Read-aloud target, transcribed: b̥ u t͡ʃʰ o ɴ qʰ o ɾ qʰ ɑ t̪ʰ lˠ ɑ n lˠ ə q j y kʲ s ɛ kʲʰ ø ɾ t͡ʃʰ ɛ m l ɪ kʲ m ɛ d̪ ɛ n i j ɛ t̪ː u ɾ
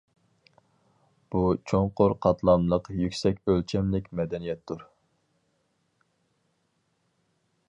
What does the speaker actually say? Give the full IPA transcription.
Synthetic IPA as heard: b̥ u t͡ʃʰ o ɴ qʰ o ɾ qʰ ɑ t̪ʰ lˠ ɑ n lˠ ə q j y kʲ s ɛ kʲ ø l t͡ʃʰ ɛ m l ɪ kʲ m ɛ d̪ ɛ n i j ɛ t̪ː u ɾ